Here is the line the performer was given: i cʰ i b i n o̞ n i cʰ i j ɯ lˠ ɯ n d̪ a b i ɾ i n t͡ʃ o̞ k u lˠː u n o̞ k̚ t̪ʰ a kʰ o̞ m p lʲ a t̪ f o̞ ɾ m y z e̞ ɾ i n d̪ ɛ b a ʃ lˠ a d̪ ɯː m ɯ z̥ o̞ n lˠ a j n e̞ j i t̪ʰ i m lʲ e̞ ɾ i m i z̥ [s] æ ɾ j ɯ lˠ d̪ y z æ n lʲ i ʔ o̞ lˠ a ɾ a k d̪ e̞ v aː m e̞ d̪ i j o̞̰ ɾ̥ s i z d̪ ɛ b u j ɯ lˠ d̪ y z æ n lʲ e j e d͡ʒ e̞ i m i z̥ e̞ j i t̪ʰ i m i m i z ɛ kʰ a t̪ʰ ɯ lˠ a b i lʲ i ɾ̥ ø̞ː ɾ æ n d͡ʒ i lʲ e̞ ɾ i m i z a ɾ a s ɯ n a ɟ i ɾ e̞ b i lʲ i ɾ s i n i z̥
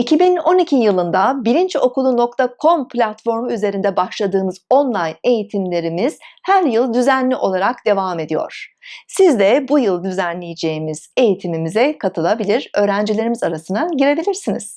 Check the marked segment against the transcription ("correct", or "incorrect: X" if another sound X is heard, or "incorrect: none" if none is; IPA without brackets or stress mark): incorrect: h